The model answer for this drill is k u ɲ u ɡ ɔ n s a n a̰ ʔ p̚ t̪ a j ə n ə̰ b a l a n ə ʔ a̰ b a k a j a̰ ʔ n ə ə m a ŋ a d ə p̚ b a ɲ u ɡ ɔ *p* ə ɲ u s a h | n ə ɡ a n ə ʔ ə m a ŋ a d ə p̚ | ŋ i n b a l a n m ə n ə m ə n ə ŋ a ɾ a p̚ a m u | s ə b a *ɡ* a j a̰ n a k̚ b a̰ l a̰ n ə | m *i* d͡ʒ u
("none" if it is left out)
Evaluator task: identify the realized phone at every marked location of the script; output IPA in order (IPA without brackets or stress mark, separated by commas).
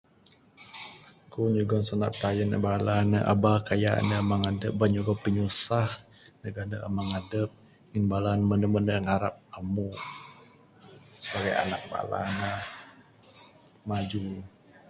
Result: p, ɡ, a